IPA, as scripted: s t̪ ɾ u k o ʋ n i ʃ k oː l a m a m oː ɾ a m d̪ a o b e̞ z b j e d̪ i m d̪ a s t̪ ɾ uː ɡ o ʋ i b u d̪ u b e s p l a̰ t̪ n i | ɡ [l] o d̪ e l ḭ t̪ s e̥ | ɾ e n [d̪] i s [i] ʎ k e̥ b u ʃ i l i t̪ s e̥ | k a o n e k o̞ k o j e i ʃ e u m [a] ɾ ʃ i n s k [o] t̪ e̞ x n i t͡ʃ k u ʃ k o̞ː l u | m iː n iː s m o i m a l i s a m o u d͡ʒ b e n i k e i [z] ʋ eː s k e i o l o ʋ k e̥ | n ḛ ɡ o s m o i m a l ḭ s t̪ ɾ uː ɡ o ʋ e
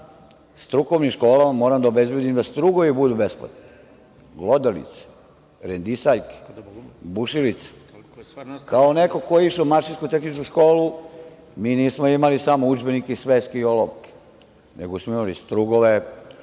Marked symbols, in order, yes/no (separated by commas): yes, yes, no, yes, no, no